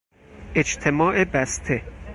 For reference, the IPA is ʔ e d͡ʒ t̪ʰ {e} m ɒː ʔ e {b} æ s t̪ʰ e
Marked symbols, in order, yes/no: yes, yes

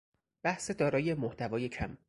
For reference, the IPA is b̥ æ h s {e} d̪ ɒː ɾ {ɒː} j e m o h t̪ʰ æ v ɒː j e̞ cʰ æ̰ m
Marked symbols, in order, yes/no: yes, yes

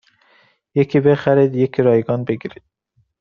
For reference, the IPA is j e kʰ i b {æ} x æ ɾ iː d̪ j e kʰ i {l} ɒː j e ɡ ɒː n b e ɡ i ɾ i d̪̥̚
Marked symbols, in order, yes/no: no, no

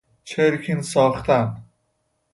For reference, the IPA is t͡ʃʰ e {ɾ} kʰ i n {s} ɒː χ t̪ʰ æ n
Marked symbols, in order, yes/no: yes, yes

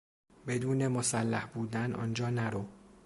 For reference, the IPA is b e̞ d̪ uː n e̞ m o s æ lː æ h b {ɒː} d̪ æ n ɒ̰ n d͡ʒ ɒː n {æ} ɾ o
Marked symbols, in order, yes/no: no, yes

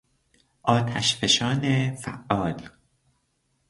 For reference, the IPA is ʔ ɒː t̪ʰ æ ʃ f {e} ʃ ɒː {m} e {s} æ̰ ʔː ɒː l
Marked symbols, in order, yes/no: yes, no, no

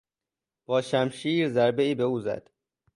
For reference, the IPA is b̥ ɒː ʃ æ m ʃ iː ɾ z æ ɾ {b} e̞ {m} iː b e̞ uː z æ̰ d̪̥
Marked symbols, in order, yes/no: yes, no

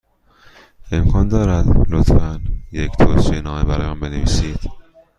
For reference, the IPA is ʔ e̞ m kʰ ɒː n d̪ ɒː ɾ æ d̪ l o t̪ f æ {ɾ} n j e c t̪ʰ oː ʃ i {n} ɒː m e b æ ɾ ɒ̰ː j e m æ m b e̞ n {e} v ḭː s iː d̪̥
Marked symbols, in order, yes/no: no, yes, yes

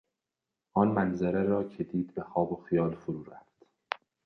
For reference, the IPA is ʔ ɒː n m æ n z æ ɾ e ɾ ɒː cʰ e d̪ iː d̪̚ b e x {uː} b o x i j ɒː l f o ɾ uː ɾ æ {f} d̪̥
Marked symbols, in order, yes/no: no, yes

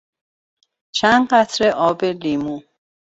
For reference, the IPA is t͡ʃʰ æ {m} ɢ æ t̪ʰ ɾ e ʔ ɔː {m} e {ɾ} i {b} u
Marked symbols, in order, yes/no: no, no, no, no

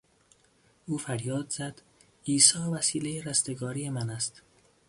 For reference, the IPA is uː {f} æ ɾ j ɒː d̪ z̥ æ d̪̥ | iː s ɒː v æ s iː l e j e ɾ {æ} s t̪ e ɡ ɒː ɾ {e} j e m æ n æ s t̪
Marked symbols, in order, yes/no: yes, yes, no

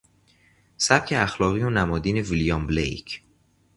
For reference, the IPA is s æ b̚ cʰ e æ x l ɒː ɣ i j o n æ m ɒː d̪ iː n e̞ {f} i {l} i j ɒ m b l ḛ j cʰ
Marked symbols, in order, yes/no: no, yes

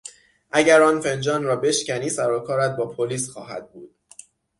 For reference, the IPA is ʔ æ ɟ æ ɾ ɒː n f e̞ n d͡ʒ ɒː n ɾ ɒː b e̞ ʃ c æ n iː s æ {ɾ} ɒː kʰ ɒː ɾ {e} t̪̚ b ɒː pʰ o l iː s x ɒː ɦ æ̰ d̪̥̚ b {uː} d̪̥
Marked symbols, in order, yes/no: yes, no, yes

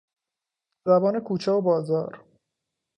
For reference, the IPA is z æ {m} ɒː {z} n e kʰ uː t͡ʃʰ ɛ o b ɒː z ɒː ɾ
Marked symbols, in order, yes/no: no, no

